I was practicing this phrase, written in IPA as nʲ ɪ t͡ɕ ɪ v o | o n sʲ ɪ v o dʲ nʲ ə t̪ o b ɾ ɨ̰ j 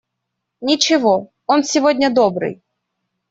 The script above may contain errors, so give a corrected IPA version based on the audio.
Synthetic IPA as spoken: nʲ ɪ t͡ɕ ɪ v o | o n sʲ ɪ v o dʲ nʲ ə d̪ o b ɾ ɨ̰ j